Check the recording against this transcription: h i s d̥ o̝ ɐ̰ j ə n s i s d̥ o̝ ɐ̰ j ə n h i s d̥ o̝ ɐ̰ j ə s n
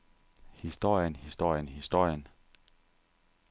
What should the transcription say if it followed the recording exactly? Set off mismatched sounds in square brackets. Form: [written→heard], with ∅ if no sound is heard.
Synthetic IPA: h i s d̥ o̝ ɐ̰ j ə n [s→h] i s d̥ o̝ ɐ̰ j ə n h i s d̥ o̝ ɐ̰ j ə [s→∅] n